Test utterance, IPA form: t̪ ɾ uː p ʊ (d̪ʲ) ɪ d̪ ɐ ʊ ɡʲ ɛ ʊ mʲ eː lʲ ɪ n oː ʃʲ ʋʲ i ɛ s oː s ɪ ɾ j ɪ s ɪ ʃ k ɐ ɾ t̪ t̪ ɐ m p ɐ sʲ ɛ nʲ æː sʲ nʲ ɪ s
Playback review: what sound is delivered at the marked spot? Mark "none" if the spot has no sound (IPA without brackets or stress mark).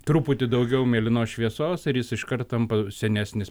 t̪ʲ